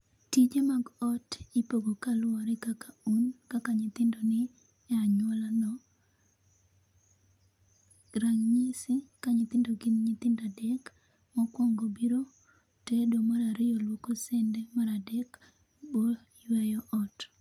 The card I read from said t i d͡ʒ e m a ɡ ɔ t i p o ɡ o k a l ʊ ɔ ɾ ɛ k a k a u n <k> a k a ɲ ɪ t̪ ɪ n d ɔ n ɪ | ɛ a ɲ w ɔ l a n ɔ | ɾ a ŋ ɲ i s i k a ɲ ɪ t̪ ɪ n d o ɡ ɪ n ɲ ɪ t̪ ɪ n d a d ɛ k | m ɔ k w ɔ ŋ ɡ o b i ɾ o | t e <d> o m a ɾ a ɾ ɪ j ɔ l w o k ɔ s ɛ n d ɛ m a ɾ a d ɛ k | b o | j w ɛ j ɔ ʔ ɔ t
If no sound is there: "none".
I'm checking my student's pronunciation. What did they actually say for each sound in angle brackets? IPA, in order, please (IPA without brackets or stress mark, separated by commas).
k, d